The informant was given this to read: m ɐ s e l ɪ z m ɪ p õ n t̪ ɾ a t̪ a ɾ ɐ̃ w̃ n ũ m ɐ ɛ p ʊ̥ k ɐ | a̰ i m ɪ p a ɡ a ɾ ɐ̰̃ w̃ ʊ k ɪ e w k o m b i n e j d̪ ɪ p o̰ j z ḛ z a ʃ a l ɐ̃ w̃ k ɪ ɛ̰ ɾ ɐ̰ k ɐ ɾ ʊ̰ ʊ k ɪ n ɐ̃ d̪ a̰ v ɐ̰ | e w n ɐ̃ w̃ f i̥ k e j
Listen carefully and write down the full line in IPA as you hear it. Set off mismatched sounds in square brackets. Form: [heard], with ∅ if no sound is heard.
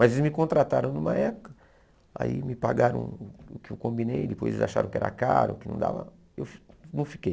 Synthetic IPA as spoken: m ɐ [z] e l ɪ z m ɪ [k] õ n t̪ ɾ a t̪ a ɾ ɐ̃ w̃ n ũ m ɐ ɛ p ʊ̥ k ɐ | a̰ i m ɪ p a ɡ a ɾ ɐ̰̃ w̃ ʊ k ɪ e w k [õ] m b i n e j d̪ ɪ p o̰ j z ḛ z a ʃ a [ɾ] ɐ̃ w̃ k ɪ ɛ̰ ɾ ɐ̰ k [a] ɾ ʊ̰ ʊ k ɪ n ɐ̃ d̪ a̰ v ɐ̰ | e w n ɐ̃ w̃ f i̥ k e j